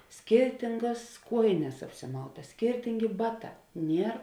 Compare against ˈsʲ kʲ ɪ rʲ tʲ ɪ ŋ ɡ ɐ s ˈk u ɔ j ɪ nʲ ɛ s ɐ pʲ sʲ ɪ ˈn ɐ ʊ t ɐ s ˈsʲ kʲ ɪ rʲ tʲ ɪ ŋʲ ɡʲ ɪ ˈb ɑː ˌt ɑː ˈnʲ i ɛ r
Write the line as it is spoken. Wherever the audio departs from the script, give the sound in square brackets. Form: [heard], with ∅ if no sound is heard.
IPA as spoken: ˈsʲ kʲ ɪ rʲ tʲ ɪ ŋ ɡ ɐ s ˈk u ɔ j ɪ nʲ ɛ s ɐ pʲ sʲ ɪ [ˈm] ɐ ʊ t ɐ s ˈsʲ kʲ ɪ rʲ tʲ ɪ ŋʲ ɡʲ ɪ ˈb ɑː ˌt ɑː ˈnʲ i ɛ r